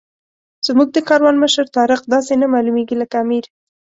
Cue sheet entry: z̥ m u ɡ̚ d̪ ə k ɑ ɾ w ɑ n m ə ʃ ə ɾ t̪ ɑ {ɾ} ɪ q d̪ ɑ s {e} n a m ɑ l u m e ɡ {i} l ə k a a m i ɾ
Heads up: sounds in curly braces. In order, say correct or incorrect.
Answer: correct, correct, correct

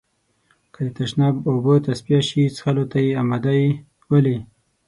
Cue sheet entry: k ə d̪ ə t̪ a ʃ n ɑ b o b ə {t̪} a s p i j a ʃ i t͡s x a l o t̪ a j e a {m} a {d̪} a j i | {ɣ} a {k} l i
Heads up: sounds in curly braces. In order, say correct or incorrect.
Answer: correct, correct, correct, incorrect: w, incorrect: none

